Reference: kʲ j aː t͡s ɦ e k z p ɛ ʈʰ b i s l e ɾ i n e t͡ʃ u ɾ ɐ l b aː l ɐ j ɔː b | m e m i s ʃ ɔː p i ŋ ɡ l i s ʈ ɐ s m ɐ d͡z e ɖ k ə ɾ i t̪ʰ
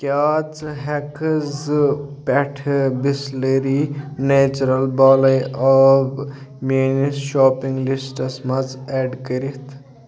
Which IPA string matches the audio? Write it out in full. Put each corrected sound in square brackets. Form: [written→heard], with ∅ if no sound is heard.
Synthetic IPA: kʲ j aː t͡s ɦ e k z p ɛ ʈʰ b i s l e ɾ i n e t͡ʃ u ɾ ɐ l b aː l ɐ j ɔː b | m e [m→n] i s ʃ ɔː p i ŋ ɡ l i s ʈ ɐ s m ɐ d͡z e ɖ k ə ɾ i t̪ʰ